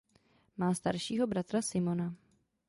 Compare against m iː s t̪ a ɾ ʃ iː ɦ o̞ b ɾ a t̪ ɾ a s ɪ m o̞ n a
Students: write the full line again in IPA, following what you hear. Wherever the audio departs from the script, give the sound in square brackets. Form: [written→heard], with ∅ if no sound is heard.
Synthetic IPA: m [iː→aː] s t̪ a ɾ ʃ iː ɦ o̞ b ɾ a t̪ ɾ a s ɪ m o̞ n a